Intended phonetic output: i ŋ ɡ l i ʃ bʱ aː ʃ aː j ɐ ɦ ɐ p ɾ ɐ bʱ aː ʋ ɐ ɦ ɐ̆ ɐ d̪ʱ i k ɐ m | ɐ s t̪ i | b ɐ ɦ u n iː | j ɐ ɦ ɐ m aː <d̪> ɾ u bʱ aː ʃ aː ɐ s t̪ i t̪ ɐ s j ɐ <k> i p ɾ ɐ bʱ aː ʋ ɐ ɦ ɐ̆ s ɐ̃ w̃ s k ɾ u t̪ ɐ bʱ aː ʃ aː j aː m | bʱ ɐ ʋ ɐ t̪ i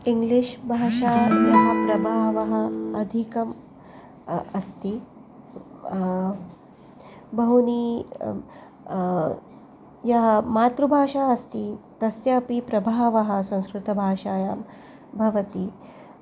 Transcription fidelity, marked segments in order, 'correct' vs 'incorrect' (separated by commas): incorrect, incorrect